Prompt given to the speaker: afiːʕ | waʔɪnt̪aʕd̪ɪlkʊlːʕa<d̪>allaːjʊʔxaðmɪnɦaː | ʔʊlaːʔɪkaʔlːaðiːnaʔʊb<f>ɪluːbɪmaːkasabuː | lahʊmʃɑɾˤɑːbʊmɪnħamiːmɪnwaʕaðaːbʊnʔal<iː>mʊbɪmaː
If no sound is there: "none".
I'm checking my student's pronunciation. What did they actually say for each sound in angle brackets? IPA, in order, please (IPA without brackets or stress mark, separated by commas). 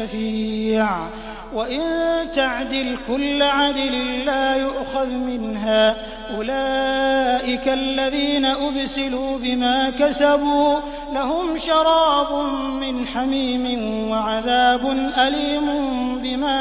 d̪, s, iː